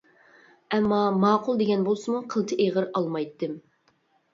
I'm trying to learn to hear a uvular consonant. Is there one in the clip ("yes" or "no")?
yes